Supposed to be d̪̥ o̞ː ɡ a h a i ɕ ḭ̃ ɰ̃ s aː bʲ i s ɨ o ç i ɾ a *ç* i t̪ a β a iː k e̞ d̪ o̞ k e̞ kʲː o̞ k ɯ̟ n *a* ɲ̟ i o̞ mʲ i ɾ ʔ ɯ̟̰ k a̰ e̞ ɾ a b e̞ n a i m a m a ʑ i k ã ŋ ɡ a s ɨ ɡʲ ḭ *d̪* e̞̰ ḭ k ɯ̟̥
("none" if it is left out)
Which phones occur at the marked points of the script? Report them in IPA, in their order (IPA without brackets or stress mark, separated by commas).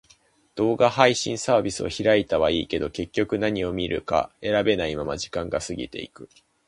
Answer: none, a, t̪